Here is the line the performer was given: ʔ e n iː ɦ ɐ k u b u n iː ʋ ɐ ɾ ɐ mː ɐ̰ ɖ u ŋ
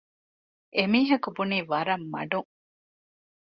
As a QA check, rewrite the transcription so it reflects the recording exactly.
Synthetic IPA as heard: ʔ e m iː ɦ ɐ k u b u n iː ʋ ɐ ɾ ɐ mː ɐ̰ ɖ u ŋ